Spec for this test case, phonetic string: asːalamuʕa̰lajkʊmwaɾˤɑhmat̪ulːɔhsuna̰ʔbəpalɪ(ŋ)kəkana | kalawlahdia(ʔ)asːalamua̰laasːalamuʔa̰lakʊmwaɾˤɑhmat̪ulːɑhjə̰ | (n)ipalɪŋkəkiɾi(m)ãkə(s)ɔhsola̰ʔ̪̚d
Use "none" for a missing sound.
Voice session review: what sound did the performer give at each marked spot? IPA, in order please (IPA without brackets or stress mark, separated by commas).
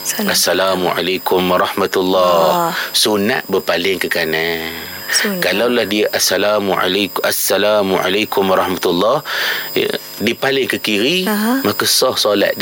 ŋ, ʔ, d, m, s